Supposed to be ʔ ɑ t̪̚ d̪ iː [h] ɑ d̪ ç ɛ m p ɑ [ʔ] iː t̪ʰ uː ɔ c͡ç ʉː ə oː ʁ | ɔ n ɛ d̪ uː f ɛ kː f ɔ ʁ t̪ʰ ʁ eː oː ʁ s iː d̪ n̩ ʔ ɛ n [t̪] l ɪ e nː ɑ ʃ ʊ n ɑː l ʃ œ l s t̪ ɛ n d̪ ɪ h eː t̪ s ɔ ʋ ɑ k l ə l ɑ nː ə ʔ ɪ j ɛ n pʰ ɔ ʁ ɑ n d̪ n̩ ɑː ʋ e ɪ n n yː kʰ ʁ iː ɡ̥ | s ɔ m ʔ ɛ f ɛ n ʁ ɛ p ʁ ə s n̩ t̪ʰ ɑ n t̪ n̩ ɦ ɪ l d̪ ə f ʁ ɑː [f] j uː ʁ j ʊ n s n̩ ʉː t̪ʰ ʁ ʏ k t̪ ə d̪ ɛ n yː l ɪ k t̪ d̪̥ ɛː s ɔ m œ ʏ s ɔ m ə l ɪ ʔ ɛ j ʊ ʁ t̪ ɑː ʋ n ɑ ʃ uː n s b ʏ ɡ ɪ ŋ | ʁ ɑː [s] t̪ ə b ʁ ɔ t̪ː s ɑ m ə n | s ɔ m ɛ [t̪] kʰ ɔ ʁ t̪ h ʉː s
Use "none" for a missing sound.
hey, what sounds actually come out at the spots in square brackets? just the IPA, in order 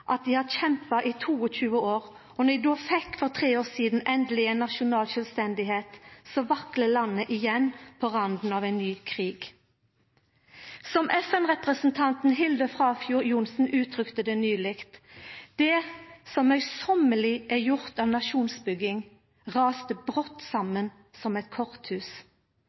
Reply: h, ʔ, d̪, f, s, t̪

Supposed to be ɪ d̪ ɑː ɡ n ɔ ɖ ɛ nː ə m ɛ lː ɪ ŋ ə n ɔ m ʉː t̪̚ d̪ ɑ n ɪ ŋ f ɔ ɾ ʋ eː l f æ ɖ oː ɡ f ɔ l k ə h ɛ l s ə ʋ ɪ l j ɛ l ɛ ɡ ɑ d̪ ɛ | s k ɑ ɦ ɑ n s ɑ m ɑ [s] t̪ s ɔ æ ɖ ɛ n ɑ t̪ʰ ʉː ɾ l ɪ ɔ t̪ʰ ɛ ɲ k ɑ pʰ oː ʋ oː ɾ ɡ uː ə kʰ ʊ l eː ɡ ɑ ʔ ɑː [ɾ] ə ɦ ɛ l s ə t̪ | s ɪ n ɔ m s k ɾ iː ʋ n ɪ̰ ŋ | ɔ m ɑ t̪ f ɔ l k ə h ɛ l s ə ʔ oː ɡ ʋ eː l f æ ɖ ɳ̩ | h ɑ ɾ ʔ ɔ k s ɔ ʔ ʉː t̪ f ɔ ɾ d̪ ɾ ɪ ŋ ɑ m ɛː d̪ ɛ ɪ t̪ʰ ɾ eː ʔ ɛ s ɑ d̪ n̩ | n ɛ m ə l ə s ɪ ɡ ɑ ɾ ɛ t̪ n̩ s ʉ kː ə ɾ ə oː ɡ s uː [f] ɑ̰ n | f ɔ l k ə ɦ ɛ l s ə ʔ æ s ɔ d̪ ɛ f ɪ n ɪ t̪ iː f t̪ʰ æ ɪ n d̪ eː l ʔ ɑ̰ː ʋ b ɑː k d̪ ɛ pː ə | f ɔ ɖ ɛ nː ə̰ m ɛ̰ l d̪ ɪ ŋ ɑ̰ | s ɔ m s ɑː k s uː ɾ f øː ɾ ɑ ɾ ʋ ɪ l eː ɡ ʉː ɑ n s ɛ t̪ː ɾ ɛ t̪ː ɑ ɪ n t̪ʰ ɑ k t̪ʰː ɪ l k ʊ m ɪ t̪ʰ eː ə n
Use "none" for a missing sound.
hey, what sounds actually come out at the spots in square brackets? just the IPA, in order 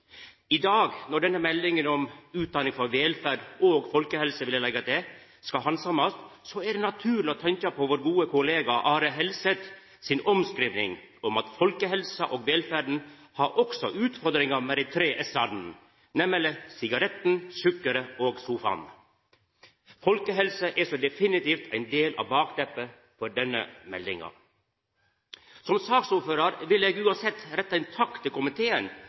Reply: s, ɾ, f

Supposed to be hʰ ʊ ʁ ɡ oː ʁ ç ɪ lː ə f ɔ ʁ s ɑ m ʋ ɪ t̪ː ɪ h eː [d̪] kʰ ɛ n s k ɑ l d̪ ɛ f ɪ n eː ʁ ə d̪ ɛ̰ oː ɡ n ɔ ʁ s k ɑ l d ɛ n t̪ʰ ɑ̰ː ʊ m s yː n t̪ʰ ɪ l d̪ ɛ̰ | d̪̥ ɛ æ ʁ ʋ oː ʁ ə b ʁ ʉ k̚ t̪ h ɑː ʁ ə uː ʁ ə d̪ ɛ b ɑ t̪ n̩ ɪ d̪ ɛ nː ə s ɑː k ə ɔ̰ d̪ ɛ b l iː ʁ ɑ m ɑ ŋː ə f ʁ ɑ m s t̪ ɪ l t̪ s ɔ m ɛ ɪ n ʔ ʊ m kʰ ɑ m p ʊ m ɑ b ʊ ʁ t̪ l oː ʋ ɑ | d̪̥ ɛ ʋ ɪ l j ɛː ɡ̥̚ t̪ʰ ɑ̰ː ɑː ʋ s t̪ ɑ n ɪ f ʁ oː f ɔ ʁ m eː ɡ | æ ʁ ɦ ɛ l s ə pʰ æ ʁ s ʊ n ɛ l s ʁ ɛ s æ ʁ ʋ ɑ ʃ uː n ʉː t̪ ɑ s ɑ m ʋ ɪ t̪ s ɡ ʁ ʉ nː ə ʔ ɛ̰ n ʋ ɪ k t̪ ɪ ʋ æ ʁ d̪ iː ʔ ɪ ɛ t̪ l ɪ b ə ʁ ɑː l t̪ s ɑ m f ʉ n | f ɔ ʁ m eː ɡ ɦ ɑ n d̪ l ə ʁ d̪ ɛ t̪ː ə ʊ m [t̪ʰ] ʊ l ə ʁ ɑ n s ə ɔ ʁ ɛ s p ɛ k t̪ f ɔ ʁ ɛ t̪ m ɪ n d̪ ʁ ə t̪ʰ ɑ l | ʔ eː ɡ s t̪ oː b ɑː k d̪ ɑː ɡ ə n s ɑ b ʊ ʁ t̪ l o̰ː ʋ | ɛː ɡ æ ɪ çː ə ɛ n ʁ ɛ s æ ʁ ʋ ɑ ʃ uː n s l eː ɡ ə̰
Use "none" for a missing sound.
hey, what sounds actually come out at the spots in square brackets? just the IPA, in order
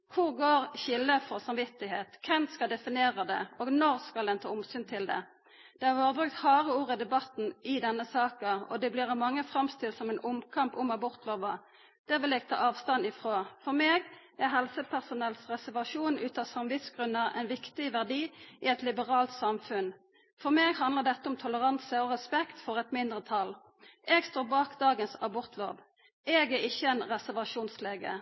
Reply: t̪, t̪ʰ

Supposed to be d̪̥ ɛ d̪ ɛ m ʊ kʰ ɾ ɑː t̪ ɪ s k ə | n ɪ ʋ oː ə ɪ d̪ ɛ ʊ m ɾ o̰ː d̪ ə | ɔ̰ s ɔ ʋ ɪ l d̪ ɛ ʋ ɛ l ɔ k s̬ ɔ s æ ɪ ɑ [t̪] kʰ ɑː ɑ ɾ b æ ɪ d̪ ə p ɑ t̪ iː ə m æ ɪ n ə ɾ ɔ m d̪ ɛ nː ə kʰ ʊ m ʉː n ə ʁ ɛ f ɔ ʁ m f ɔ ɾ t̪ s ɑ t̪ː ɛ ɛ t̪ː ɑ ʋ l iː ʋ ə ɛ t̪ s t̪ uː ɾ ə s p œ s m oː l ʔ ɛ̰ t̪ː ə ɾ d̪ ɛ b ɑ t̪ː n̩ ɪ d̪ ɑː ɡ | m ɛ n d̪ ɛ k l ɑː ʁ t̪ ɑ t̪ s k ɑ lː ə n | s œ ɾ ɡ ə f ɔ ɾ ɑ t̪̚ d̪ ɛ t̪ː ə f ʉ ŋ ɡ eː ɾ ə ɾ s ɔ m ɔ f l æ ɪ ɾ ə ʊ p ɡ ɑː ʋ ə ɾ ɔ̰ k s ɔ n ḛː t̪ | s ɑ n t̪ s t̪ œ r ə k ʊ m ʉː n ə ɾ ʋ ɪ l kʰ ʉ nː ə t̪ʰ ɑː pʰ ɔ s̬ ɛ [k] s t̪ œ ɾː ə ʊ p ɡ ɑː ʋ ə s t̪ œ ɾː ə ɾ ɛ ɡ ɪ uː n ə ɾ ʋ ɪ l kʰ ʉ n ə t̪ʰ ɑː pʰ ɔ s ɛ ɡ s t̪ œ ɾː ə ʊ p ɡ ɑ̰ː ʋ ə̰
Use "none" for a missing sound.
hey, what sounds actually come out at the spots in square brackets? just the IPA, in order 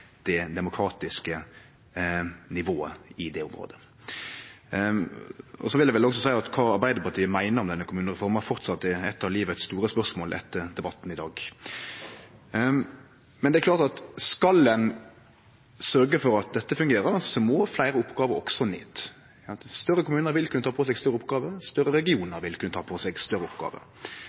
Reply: t̪, ɡ

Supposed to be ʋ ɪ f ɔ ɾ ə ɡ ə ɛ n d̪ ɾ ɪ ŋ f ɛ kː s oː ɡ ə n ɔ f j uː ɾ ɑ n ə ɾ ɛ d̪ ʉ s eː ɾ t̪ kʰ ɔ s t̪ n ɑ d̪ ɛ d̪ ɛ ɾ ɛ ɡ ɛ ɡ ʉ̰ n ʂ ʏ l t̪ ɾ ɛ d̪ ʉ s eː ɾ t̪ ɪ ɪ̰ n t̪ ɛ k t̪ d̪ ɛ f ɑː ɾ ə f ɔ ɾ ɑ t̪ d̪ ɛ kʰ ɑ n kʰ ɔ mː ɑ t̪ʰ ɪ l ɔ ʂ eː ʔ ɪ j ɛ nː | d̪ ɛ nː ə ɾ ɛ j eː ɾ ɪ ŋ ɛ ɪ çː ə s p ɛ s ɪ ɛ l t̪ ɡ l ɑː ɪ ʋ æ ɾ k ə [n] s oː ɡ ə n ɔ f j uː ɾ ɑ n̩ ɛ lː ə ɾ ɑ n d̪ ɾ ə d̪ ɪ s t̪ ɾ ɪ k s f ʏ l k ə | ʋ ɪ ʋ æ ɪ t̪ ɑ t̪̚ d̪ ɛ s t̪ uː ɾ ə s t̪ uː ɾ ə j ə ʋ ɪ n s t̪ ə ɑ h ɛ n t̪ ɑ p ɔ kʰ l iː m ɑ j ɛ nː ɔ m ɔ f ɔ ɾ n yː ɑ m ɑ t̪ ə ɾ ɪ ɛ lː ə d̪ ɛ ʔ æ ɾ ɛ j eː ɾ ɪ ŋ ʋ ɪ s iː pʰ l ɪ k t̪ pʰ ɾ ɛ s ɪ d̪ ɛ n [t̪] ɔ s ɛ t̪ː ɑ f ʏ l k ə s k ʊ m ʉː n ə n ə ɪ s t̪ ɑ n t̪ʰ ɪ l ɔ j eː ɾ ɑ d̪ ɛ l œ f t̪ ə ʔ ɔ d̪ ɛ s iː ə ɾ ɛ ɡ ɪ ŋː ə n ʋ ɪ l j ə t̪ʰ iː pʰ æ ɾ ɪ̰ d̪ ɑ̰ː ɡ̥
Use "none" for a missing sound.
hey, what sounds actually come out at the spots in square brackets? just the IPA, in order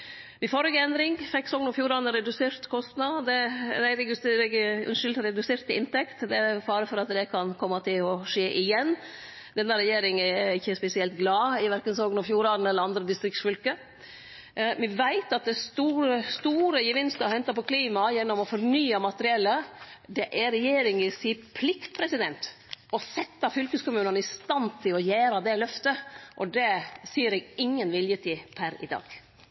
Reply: n, t̪

